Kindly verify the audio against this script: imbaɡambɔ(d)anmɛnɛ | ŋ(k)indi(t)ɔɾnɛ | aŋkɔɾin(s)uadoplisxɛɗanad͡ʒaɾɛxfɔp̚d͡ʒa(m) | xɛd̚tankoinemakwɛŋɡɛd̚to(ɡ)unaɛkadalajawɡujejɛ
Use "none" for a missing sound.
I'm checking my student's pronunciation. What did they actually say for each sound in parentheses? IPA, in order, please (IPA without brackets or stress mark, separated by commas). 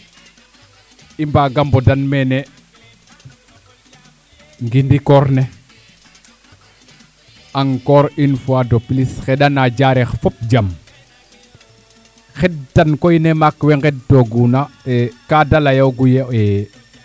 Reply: d, ɡ, k, f, m, ɡ